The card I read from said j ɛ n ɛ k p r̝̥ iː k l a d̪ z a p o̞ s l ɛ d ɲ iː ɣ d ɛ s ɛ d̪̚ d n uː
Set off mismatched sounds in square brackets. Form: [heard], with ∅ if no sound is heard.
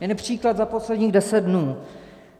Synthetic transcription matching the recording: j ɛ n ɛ [∅] p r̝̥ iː k l a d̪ z a p o̞ s l ɛ d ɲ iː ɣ d ɛ s ɛ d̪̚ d n uː